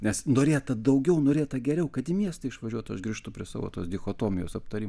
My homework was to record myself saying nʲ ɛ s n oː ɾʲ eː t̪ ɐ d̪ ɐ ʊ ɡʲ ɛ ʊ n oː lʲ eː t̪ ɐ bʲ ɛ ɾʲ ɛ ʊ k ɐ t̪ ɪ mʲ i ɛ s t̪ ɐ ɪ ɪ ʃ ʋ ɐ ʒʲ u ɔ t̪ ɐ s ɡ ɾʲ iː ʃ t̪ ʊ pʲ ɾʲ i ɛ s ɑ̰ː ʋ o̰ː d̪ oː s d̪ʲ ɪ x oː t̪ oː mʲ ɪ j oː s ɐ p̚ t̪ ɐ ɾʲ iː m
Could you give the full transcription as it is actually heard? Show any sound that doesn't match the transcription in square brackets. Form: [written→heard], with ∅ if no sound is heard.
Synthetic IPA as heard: nʲ ɛ s n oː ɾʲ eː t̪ ɐ d̪ ɐ ʊ ɡʲ ɛ ʊ n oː [lʲ→ɾʲ] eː t̪ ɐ [bʲ→ɡʲ] ɛ ɾʲ ɛ ʊ k ɐ t̪ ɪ mʲ i ɛ s t̪ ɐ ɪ ɪ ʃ ʋ ɐ ʒʲ u ɔ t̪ ɐ [s→ʃ] ɡ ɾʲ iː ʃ t̪ ʊ pʲ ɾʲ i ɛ s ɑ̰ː ʋ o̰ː [d̪→t̪] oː s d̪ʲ ɪ x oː t̪ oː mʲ ɪ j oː s ɐ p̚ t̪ ɐ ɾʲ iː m